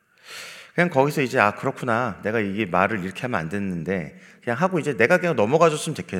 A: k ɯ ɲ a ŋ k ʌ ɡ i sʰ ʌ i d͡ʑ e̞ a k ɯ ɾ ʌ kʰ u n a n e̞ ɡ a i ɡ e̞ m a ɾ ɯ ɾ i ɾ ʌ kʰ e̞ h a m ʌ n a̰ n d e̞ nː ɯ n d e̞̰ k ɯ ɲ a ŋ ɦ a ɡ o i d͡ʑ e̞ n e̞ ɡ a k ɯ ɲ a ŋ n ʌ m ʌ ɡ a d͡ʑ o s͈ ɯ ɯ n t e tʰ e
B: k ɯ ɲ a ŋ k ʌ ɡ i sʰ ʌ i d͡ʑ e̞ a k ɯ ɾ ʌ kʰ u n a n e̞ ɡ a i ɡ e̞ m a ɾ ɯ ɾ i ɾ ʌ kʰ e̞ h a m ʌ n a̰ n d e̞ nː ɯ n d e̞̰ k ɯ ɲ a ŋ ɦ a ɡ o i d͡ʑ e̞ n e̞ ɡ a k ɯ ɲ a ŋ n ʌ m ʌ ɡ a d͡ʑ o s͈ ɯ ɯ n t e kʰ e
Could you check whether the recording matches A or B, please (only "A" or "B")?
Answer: B